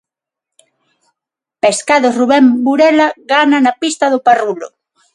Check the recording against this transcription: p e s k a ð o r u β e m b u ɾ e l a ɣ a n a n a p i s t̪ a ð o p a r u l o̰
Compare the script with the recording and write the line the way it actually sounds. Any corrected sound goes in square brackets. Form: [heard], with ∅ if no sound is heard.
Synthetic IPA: p e s k a ð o r u β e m b u ɾ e l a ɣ a n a n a p i s t̪ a ð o p a r u l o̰